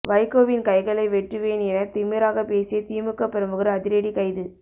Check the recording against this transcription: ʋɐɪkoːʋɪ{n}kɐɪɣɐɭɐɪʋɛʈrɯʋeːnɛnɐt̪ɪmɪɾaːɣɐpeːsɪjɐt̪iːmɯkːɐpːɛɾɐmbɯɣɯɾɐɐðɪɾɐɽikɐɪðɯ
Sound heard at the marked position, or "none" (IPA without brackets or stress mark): n